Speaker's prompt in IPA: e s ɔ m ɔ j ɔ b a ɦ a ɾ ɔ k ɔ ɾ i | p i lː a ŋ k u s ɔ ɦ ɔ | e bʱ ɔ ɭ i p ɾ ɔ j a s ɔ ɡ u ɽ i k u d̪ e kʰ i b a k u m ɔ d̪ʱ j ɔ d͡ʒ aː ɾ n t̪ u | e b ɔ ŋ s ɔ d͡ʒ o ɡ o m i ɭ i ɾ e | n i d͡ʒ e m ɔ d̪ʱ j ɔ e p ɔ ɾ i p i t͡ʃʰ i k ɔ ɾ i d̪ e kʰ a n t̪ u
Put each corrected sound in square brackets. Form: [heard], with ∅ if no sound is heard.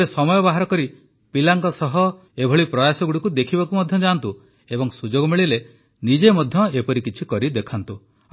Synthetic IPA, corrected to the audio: e s ɔ m ɔ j ɔ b a ɦ a ɾ ɔ k ɔ ɾ i | p i [l] a ŋ k [ɔ] s ɔ ɦ ɔ | e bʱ ɔ ɭ i p ɾ ɔ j a s ɔ ɡ u ɽ i k u d̪ e kʰ i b a k u m ɔ d̪ʱ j ɔ d͡ʒ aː [∅] n t̪ u | e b ɔ ŋ s [u] d͡ʒ o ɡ [ɔ] m i ɭ i [l] e | n i d͡ʒ e m ɔ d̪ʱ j ɔ e p ɔ ɾ i [k] i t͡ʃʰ i k ɔ ɾ i d̪ e kʰ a n t̪ u